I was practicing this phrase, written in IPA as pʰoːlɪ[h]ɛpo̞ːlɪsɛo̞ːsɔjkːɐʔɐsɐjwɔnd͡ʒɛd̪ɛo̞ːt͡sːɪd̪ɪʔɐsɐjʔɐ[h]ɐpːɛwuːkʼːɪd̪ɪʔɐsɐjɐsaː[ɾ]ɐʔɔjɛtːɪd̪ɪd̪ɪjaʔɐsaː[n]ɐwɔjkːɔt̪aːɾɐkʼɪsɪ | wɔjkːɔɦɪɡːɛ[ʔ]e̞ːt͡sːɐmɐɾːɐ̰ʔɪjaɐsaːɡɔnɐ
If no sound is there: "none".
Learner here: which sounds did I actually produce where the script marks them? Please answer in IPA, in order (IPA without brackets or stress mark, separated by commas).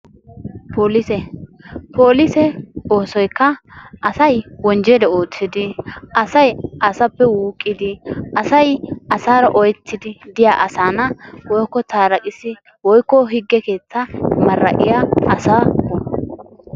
s, s, ɾ, n, k